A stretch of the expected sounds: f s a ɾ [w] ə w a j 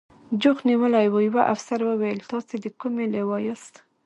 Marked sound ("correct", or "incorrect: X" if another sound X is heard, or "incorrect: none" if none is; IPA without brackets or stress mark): correct